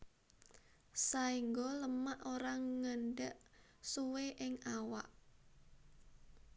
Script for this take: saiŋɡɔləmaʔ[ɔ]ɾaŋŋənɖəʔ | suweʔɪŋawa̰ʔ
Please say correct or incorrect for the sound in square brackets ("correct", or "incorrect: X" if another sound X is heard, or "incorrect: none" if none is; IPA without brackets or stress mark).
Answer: incorrect: o